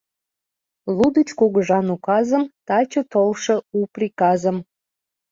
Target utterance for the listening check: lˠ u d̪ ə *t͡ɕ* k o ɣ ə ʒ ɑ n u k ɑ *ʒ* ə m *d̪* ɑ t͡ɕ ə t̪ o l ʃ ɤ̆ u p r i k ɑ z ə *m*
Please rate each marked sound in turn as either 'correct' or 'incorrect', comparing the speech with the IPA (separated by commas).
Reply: correct, incorrect, incorrect, correct